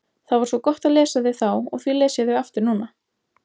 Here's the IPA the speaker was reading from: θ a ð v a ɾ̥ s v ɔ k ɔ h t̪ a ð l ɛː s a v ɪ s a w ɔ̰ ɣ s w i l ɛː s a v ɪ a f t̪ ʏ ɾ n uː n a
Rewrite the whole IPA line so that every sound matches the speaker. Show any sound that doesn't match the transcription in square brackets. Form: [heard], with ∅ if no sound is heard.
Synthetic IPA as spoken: θ a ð v a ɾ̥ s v ɔ k ɔ h t̪ a ð l ɛː s a [ð] ɪ [θ] a w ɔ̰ ɣ [θ] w i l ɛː s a [ð] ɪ a f t̪ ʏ ɾ n uː n a